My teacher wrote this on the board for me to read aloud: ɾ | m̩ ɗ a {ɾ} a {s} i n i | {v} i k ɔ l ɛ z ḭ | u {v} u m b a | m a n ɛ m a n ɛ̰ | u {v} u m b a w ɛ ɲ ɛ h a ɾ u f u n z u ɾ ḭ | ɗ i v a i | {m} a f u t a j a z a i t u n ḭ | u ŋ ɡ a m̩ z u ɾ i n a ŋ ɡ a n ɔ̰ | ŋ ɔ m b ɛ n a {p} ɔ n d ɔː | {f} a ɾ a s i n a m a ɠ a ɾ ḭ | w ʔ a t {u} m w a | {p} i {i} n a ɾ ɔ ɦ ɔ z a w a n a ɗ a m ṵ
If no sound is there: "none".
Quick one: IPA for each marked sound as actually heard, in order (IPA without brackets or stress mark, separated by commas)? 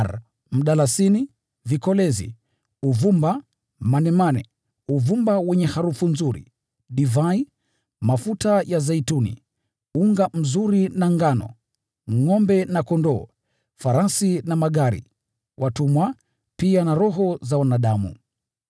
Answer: l, s, v, v, v, m, k, f, u, p, a